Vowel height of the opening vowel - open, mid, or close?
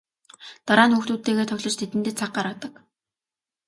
open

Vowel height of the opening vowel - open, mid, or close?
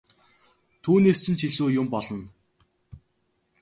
close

